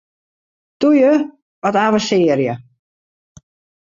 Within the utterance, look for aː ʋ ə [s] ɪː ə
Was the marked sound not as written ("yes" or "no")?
no